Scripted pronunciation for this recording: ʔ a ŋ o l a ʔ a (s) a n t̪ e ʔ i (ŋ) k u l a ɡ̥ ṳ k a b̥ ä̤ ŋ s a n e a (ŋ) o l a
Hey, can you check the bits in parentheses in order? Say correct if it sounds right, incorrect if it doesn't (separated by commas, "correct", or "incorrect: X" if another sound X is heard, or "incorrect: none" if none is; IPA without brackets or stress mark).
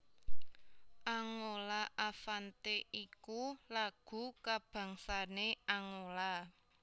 incorrect: f, incorrect: none, correct